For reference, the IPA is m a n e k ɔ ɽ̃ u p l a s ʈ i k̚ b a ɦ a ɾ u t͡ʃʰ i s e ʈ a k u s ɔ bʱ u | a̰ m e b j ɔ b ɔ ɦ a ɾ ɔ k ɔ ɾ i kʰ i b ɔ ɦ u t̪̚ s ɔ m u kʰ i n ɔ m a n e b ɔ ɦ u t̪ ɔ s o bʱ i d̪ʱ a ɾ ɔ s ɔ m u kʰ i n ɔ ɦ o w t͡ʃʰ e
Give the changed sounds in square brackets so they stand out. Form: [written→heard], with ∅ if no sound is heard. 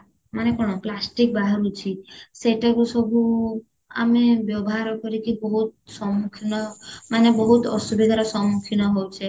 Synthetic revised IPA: m a n e k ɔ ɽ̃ [u→ɔ] p l a s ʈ i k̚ b a ɦ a ɾ u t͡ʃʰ i s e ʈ a k u s ɔ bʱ u | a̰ m e b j ɔ b ɔ ɦ a ɾ ɔ k ɔ ɾ i [kʰ→k] i b ɔ ɦ u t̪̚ s ɔ m u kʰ i n ɔ m a n e b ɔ ɦ u t̪ ɔ s [o→u] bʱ i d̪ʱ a ɾ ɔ s ɔ m u kʰ i n ɔ ɦ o w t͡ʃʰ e